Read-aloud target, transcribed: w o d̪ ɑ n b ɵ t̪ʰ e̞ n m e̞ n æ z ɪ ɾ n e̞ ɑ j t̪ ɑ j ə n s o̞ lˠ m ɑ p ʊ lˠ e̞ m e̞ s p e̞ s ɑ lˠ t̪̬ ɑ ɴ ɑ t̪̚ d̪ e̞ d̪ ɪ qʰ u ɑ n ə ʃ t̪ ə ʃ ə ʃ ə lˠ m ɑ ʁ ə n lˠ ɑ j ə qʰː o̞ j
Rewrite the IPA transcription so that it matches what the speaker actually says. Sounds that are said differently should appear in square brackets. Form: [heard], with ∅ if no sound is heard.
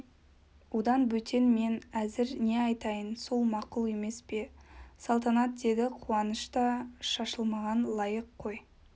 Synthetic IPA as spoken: w o d̪ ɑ n b ɵ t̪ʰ e̞ n m e̞ n æ z ɪ ɾ n e̞ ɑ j t̪ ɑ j ə n s o̞ lˠ m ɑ [q] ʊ lˠ e̞ m e̞ s p e̞ s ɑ lˠ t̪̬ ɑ [n] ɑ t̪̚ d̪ e̞ d̪ ɪ qʰ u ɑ n ə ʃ t̪ [ɑ] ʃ [ɑ] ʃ ə lˠ m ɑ ʁ [ɑ] n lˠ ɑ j ə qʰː o̞ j